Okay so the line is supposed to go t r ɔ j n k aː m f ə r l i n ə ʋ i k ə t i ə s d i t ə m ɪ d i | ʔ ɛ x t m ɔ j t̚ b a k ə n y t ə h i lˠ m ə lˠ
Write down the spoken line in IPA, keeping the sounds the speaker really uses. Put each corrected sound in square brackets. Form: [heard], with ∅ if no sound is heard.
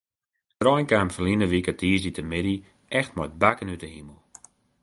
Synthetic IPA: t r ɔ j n k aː m f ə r l i n ə ʋ i k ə t i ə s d i t ə m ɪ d i | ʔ ɛ x t m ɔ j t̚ b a k ə n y t ə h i [∅] m ə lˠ